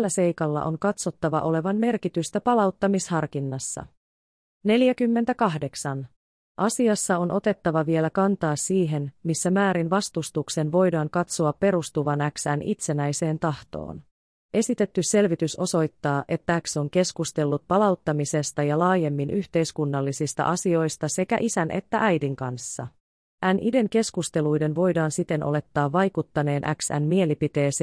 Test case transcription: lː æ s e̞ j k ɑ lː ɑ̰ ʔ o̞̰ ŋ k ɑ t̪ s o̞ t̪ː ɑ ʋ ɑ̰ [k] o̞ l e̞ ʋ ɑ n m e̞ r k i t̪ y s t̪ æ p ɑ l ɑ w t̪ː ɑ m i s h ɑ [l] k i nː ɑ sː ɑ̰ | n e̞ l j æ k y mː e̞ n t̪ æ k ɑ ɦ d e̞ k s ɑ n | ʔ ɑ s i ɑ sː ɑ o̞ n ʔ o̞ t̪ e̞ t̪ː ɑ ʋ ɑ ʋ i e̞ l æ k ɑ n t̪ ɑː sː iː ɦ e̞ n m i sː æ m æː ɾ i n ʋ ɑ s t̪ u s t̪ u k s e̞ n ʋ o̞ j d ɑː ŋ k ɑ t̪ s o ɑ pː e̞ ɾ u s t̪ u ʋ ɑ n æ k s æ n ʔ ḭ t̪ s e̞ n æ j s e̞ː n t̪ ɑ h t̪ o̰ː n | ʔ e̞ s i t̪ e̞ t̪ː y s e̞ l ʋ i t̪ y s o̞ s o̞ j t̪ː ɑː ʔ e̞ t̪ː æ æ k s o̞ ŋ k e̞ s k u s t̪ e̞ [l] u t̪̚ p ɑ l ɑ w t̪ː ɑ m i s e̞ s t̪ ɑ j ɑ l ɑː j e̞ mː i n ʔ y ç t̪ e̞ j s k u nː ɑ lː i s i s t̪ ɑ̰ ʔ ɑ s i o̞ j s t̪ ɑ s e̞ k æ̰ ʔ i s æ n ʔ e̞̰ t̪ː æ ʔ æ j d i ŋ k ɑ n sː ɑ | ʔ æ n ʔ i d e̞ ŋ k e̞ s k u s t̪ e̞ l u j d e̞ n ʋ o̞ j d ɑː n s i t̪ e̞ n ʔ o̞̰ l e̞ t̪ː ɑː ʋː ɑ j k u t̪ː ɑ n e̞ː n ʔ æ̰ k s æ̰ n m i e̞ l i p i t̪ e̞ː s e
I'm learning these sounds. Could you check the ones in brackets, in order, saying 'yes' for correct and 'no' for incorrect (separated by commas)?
no, no, no